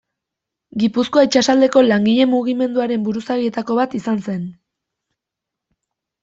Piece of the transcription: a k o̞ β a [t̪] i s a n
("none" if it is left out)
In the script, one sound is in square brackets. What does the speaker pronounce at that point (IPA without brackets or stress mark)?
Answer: t̪